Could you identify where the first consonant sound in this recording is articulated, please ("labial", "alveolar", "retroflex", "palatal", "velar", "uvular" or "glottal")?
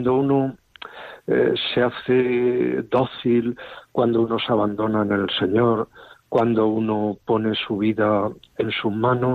alveolar